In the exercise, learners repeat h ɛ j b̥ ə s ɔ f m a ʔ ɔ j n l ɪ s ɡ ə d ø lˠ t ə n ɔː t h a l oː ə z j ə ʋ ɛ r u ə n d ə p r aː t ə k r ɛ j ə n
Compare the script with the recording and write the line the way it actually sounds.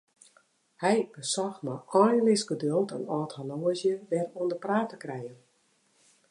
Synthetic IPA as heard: h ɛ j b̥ ə s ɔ x m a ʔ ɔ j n l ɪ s ɡ ə d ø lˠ t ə n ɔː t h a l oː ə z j ə ʋ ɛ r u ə n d ə p r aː t ə k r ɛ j ə n

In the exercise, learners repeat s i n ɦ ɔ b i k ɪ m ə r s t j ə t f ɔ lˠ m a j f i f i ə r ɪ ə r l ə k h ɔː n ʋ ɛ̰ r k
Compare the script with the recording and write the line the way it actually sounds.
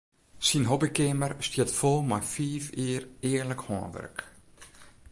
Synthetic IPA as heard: s i n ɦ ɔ b i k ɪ m ə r s t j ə t f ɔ lˠ m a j f iː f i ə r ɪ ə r l ə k h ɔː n ʋ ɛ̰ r k

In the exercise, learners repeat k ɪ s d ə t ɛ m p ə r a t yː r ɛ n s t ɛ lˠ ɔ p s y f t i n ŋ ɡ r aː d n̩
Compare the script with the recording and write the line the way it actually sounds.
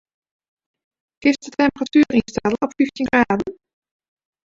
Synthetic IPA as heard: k ɪ s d ə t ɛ m p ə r a t yː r i n s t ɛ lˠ ɔ p f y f t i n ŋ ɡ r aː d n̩

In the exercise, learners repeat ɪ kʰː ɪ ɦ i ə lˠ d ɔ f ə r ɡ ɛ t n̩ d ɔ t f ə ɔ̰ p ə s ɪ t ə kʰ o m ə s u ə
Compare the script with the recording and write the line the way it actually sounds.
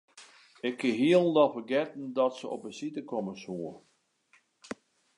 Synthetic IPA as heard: ɪ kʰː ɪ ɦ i ə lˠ d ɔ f ə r ɡ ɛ t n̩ d ɔ t s ə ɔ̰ p ə s i t ə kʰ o m ə s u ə

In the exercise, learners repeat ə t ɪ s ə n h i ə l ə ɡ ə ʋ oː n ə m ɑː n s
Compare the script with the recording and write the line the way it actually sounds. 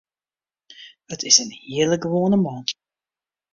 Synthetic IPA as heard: ə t ɪ s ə n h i ə l ə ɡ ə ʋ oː n ə m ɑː n t

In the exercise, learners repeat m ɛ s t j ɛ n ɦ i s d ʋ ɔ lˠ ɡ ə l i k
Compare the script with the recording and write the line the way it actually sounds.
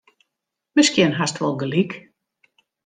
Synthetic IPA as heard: m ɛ s k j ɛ n ɦ a s t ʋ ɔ lˠ ɡ ə l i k

